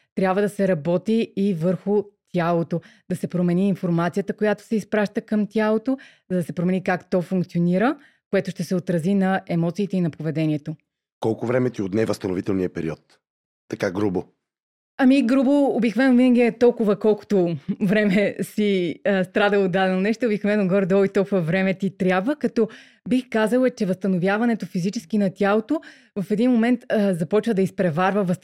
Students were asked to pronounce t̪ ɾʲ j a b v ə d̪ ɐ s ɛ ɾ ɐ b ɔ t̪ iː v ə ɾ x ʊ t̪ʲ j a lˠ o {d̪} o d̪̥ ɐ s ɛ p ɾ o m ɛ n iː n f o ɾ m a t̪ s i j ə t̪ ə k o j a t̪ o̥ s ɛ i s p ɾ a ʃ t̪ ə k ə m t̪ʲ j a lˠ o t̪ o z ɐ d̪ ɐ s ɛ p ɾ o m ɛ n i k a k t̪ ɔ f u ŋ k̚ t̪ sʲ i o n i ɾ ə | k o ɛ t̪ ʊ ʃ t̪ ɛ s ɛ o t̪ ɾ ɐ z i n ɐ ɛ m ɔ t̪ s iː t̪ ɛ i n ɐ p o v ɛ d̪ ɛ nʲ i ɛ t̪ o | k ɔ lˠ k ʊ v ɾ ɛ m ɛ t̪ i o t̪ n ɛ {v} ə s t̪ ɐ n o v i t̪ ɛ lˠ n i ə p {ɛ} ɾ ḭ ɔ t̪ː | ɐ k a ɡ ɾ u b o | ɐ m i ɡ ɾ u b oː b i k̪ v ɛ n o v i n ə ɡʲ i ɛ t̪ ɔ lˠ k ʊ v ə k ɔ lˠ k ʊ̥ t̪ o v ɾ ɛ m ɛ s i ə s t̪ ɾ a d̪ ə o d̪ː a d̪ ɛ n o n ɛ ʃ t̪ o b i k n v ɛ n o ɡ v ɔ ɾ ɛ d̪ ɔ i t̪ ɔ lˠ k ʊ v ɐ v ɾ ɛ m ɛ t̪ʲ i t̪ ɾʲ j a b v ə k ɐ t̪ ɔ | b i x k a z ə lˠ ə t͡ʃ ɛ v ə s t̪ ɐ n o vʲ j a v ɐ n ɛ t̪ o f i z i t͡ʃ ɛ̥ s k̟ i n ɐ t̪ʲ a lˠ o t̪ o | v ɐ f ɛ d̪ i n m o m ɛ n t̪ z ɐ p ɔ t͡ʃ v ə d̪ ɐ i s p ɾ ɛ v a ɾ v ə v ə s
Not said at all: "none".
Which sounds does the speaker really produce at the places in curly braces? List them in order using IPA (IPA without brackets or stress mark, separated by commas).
t̪, v, ɛ